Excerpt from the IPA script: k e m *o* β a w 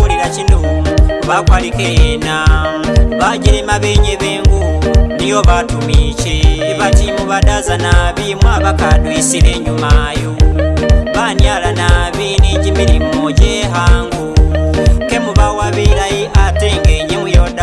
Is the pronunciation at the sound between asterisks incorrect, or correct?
incorrect